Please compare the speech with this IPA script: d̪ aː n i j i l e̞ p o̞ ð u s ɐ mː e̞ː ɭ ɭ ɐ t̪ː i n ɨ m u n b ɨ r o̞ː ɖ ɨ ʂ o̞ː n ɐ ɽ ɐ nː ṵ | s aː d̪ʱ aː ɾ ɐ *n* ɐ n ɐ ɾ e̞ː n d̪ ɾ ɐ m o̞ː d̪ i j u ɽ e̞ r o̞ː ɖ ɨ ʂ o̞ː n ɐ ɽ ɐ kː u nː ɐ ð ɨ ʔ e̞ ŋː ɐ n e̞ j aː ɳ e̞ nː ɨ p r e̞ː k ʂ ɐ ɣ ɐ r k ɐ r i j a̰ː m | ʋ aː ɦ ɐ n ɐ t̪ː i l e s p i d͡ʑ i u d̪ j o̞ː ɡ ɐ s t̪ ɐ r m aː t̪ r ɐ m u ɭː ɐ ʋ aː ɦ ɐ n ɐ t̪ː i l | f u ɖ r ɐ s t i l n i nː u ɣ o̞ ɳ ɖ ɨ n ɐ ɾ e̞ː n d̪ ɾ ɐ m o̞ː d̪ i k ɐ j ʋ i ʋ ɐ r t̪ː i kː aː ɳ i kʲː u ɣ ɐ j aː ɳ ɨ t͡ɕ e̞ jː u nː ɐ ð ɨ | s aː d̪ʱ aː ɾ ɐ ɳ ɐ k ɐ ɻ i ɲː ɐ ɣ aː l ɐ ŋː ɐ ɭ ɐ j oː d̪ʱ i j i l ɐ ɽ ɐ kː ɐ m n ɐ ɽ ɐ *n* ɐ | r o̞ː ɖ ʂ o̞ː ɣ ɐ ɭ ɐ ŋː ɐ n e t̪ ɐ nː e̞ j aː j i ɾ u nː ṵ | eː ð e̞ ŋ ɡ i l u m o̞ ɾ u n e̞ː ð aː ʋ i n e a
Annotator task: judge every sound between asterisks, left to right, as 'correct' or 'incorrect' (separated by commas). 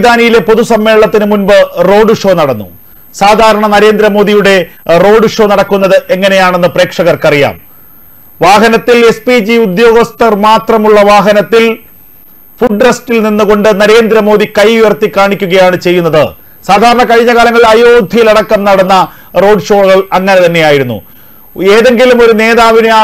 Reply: incorrect, incorrect